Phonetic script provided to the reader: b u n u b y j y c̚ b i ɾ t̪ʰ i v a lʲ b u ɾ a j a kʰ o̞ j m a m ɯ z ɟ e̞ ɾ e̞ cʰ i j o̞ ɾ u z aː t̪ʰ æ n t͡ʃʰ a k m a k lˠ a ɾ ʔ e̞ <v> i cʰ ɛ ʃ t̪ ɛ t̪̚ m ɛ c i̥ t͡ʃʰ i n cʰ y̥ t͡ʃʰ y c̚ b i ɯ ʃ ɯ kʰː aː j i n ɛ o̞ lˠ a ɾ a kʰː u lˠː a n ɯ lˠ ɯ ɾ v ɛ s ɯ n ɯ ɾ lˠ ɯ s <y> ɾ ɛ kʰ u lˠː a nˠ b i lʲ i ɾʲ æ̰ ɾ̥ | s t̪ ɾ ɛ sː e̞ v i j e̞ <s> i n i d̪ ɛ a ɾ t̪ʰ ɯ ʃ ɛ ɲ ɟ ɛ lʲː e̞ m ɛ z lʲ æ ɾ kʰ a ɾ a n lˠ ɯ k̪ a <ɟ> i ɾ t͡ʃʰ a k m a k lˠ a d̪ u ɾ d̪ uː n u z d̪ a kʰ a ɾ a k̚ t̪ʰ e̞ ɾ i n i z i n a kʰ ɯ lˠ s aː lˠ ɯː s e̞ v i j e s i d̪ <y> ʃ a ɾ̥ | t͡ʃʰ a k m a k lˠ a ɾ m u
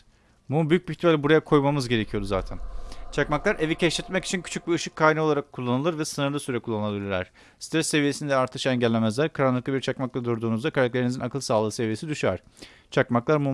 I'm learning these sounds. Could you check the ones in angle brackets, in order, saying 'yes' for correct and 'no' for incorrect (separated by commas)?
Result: yes, yes, yes, no, yes